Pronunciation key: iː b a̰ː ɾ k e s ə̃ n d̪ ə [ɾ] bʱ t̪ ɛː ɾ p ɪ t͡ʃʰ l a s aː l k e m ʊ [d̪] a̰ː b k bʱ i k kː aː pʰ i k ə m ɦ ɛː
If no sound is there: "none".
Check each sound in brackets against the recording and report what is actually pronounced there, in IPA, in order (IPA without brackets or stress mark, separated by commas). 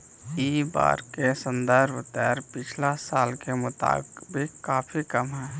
ɾ, t̪